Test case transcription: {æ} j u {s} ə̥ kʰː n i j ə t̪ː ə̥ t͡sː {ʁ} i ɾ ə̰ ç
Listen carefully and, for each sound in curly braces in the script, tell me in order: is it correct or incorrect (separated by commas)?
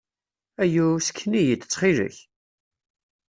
correct, correct, incorrect